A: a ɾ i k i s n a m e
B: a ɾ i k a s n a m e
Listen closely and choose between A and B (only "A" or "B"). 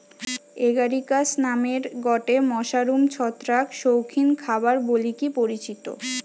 B